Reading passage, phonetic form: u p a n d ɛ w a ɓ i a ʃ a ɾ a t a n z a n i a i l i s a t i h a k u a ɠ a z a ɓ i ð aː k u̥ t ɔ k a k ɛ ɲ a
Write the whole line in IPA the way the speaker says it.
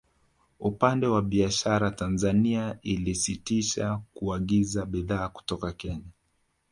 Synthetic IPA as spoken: u p a n d ɛ w a ɓ i a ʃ a ɾ a t a n z a n i a i l i s i t i ʃ a k u a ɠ i z a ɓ i ð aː k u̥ t ɔ k a k ɛ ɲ a